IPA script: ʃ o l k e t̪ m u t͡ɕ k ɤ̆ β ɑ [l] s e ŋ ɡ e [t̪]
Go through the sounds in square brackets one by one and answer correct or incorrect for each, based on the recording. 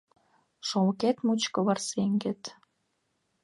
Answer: incorrect: r, correct

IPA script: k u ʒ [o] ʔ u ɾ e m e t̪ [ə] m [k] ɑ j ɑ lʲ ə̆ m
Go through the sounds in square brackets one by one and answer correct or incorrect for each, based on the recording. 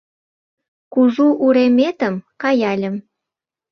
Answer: incorrect: u, correct, correct

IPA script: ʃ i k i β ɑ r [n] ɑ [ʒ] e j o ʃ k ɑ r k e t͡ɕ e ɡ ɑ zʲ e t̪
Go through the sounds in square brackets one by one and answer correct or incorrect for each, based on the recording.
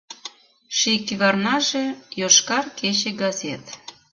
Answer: correct, correct

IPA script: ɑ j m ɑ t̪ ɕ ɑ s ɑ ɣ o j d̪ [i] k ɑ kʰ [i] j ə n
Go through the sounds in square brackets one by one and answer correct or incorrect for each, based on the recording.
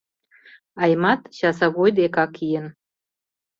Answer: incorrect: e, correct

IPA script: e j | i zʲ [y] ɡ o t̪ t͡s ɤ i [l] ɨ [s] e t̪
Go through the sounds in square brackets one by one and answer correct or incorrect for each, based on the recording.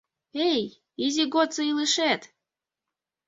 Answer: incorrect: i, correct, incorrect: ʃ

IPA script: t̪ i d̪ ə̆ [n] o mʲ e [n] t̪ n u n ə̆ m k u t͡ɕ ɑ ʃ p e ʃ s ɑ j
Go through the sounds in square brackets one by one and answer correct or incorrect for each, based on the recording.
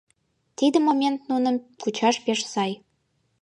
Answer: incorrect: m, correct

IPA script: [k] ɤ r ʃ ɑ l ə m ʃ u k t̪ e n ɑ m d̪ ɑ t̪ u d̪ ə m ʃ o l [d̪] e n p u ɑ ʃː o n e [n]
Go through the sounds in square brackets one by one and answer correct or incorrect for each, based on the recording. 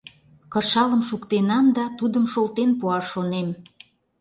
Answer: correct, incorrect: t̪, incorrect: m

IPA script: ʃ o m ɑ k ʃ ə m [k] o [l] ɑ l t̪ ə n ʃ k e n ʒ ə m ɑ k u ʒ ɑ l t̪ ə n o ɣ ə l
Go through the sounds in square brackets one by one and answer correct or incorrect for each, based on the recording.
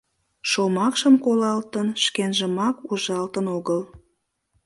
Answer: correct, correct

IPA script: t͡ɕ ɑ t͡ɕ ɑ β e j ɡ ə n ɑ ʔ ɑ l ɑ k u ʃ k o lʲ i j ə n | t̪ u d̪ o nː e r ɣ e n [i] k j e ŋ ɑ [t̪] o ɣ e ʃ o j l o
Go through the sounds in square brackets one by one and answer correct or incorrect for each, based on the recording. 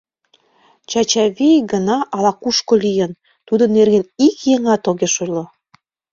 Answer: correct, correct

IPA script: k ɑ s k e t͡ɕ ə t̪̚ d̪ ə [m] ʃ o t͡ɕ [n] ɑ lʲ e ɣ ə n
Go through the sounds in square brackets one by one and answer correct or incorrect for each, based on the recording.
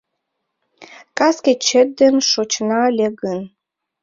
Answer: incorrect: n, correct

